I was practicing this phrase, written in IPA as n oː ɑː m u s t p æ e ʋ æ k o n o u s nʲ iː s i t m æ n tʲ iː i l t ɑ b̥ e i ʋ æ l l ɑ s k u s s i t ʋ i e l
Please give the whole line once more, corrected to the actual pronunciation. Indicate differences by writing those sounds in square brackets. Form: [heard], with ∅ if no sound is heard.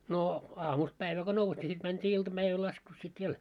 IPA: n oː ɑː m u s t p æ [i] ʋ æ k o n o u s nʲ [i] s i t m æ n tʲ iː i l t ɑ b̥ [æ] i ʋ æ l l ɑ s k u s s i t ʋ i e l

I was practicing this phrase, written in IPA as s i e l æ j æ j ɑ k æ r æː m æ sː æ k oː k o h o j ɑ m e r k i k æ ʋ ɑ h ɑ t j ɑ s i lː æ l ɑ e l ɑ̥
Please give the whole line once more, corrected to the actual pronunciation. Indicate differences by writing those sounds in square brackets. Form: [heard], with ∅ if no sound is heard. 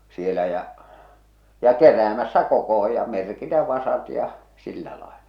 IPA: s i e l æ j æ j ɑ k [e] r æː m æ sː æ k [o] k o h o j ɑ m e r k i [t] æ ʋ ɑ [s] ɑ t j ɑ s i lː æ l ɑ e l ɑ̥

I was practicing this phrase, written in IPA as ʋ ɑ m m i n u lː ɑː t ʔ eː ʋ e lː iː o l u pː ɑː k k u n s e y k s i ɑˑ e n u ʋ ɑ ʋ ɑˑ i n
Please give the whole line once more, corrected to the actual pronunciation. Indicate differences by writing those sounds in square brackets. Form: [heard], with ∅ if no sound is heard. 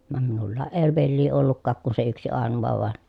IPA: ʋ ɑ m m i n u lː ɑː [ʔ] ʔ eː ʋ e lː iː o [lː] u [kː] ɑː k k u n s e y k s i ɑˑ e n u ʋ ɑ ʋ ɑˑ [e] n

